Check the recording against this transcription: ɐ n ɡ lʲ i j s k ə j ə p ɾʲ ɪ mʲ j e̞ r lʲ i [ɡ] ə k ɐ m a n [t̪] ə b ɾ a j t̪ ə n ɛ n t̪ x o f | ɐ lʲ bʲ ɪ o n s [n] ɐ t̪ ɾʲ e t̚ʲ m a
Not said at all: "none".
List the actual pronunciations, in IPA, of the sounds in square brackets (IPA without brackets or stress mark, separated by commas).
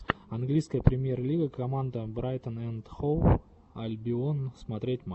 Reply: ɡ, d̪, m